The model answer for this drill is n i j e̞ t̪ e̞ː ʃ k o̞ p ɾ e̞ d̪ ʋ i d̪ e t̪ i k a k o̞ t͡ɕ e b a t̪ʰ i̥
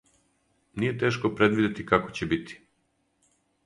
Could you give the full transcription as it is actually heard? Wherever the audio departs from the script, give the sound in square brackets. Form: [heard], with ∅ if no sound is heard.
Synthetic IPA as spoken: n i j e̞ t̪ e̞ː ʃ k o̞ p ɾ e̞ d̪ ʋ i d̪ e t̪ i k a k o̞ t͡ɕ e b [i] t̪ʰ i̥

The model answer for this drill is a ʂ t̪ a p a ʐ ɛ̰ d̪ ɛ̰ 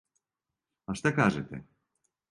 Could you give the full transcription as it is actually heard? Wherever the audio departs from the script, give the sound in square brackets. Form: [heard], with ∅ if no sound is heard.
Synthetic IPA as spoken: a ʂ t̪ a [k] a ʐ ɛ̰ [t̪] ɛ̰

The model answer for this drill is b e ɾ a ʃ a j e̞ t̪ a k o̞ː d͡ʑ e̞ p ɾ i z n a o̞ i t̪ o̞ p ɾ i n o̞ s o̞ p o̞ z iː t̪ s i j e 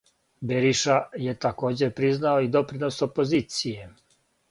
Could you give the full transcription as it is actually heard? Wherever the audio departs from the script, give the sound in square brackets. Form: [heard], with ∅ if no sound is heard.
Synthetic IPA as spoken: b e ɾ [i] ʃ a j e̞ t̪ a k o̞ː d͡ʑ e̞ p ɾ i z n a o̞ i [d̪] o̞ p ɾ i n o̞ s o̞ p o̞ z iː t̪ s i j e

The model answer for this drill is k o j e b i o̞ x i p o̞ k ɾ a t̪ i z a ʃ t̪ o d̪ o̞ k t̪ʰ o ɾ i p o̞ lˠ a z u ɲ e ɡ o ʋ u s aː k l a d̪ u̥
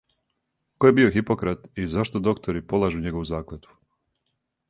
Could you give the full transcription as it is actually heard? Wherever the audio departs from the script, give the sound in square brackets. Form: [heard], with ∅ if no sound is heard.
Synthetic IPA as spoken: k o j e b i o̞ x i p o̞ k ɾ a t̪ i z a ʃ t̪ o d̪ o̞ k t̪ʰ o ɾ i p o̞ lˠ a [ʒ] u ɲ e ɡ o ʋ u [z] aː k l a [t̪] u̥

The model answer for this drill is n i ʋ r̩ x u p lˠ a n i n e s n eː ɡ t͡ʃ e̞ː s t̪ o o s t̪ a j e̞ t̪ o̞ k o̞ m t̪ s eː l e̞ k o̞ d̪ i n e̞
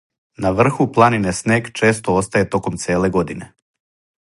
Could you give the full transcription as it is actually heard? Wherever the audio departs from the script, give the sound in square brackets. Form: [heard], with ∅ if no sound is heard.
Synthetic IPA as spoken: n [a] ʋ r̩ x u p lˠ a n i n e s n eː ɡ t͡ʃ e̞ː s t̪ o o s t̪ a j e̞ t̪ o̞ k o̞ m t̪ s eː l e̞ [ɡ] o̞ d̪ i n e̞

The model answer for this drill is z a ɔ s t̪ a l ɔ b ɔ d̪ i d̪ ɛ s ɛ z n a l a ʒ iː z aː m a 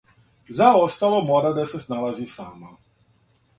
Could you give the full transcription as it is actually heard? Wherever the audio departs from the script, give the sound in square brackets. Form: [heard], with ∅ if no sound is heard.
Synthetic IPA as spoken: z a ɔ s t̪ a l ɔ [m] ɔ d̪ [a] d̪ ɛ s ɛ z n a l a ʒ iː [s] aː m a

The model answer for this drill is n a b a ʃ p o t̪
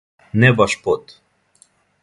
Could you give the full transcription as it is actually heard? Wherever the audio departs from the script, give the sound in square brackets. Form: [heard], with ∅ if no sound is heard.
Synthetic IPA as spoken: n [ɛ] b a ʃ p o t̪

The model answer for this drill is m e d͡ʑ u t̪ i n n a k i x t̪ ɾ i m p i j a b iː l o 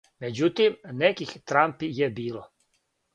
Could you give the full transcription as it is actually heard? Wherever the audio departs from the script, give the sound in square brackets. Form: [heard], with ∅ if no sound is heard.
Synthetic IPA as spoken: m e d͡ʑ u t̪ i [m] n [e] k i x t̪ ɾ [a] m p i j [e] b iː l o

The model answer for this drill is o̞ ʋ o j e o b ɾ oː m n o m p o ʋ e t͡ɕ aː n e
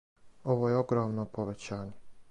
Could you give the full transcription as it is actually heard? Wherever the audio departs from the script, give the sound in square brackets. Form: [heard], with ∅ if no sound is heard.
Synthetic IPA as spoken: o̞ ʋ o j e o [ɡ] ɾ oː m n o [∅] p o ʋ e t͡ɕ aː [ɲ] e

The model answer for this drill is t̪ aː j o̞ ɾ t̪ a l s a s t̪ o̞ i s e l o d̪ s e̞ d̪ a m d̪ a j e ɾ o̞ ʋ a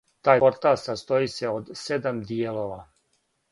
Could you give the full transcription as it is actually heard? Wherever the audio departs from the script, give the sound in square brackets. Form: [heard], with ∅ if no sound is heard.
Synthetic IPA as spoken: t̪ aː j o̞ ɾ t̪ a l s a s t̪ o̞ i s e [∅] o d̪ s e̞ d̪ a m d̪ [i] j e [l] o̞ ʋ a

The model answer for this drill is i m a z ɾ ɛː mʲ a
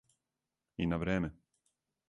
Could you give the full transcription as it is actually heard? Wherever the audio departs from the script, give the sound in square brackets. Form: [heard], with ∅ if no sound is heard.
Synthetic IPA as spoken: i [n] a [v] ɾ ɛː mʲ [ɛ]

